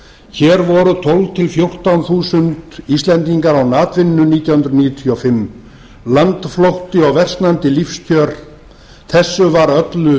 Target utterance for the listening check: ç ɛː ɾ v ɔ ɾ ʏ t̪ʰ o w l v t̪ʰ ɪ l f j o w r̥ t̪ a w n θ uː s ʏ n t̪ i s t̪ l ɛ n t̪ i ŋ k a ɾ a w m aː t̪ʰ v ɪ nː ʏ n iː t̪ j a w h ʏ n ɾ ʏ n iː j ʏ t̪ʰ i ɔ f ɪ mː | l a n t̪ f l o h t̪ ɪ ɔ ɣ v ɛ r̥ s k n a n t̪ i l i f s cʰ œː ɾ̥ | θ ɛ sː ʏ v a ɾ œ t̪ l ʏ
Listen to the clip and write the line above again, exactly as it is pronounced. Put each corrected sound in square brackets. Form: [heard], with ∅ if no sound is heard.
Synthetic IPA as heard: ç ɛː ɾ v ɔ ɾ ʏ t̪ʰ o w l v t̪ʰ ɪ l f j o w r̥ t̪ a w n θ uː s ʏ n t̪ i s t̪ l ɛ n t̪ i ŋ k a ɾ a w [n] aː [t̪] v ɪ nː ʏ n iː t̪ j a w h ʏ n ɾ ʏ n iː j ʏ t̪ʰ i ɔ f ɪ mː | l a n t̪ f l o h t̪ ɪ ɔ ɣ v ɛ r̥ s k n a n t̪ [ɪ] l i f s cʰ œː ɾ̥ | θ ɛ sː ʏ v a ɾ œ t̪ l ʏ